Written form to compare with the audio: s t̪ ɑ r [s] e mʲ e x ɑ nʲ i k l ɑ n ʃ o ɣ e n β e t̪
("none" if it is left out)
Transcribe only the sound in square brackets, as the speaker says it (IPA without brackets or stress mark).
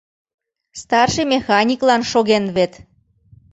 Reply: ʃ